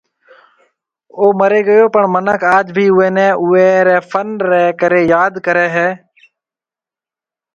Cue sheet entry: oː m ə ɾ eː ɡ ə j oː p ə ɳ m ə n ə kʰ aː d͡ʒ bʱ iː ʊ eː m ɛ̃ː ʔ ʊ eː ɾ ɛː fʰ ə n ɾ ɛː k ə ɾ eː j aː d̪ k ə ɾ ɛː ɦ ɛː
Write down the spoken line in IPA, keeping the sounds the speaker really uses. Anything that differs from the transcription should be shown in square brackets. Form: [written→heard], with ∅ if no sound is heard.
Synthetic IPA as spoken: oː m ə ɾ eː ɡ ə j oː p ə ɳ m ə n ə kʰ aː d͡ʒ bʱ iː ʊ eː [m→n] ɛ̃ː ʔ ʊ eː ɾ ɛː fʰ ə n ɾ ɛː k ə ɾ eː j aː d̪ k ə ɾ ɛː ɦ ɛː